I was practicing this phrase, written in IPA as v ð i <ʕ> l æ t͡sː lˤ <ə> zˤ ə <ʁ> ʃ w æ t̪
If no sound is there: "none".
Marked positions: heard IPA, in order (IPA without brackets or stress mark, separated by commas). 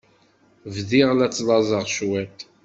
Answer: ʁ, ɑ, ʁ